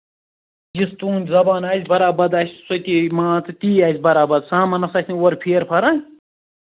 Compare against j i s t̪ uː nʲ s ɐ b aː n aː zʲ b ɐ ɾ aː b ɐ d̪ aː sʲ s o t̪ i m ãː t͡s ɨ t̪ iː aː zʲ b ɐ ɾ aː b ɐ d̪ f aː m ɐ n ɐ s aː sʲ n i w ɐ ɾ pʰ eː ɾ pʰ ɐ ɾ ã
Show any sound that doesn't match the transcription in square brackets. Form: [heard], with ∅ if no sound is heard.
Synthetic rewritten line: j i s t̪ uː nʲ [z] ɐ b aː n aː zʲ b ɐ ɾ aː b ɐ d̪ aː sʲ s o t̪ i m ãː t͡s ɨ t̪ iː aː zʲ b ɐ ɾ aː b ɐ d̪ [s] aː m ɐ n ɐ s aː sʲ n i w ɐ ɾ pʰ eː ɾ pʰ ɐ ɾ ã